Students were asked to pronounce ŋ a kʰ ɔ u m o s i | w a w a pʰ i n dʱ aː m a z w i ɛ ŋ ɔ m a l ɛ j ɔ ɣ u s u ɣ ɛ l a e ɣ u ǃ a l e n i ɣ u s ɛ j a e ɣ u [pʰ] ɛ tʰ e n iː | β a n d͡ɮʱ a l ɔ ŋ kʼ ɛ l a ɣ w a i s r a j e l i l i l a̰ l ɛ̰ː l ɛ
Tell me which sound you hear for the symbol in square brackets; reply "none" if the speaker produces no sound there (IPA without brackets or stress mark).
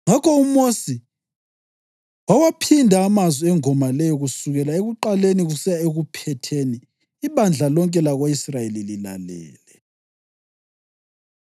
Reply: pʰ